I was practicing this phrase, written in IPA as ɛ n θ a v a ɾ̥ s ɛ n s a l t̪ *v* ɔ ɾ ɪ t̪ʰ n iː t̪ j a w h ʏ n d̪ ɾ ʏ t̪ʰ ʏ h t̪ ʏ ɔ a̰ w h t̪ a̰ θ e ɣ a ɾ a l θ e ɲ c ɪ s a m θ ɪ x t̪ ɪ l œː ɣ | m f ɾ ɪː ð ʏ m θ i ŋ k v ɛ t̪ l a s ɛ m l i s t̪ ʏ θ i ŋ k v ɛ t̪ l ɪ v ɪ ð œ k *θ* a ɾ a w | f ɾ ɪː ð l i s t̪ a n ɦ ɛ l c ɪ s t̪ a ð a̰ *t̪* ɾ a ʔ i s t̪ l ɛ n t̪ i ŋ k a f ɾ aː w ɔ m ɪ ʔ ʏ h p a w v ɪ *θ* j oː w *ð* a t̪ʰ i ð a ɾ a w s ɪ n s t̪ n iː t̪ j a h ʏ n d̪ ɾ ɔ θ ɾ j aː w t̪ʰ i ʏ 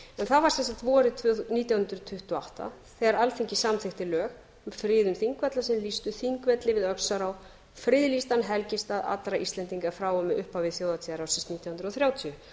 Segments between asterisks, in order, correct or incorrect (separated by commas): correct, incorrect, correct, correct, correct